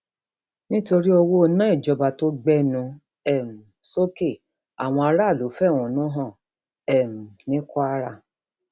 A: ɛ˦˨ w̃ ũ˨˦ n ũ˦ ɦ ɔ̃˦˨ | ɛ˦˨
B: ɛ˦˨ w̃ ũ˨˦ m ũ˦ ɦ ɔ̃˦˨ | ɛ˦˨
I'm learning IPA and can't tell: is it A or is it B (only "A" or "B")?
A